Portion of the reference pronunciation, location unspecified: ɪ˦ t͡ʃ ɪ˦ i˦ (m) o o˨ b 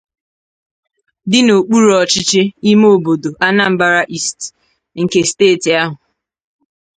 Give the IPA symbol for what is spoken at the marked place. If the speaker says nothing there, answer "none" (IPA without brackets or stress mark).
m